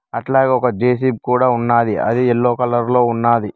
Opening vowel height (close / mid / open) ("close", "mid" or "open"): open